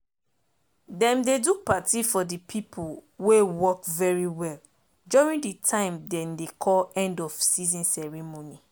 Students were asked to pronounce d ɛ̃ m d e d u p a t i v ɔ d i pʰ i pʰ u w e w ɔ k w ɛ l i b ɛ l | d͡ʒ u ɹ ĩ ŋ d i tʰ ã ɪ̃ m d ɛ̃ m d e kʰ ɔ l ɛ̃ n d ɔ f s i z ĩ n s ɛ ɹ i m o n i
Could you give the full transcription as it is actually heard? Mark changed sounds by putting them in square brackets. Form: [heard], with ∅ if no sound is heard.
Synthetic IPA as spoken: d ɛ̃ m d e d u p a t i [f] ɔ d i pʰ i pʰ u w e w ɔ k [v] ɛ [ɹ] i [w] ɛ l | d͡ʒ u ɹ ĩ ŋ d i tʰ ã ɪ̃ m d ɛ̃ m d e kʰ ɔ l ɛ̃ n d ɔ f s i z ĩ n s ɛ ɹ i m o n i